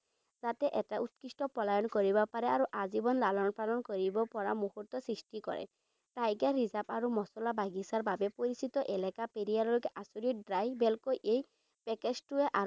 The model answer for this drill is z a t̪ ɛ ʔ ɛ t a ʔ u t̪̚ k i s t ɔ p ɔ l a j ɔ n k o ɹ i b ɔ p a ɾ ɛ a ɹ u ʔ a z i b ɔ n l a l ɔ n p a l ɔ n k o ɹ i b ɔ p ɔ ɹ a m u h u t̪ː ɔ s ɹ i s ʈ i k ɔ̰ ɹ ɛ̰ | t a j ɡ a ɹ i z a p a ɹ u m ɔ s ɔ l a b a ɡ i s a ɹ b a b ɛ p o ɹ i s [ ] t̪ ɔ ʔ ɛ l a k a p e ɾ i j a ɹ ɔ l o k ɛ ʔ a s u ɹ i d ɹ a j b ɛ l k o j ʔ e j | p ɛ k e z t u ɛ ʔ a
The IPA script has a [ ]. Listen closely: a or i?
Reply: i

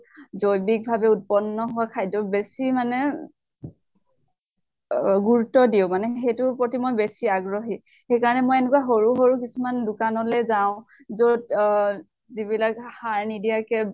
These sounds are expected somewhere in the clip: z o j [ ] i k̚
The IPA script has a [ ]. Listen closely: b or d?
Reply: b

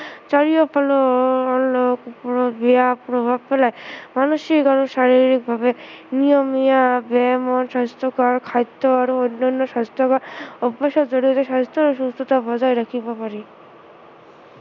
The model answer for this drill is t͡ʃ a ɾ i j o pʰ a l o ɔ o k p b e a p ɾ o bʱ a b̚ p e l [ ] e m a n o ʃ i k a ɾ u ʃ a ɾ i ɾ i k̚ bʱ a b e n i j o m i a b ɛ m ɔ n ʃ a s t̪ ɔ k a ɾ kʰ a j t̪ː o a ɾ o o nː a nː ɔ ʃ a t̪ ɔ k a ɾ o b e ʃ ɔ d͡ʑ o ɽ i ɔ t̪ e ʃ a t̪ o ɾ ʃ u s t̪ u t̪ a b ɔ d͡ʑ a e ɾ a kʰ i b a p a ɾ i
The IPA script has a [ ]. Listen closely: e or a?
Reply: a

